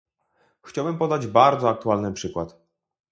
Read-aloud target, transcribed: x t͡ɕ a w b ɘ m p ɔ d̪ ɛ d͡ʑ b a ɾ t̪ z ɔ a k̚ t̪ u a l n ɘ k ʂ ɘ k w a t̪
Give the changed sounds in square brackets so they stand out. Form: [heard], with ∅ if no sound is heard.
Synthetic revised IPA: x t͡ɕ a w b ɘ m p ɔ d̪ [a] d͡ʑ b a ɾ [d̪] z ɔ a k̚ t̪ u a l n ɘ [p] ʂ ɘ k w a t̪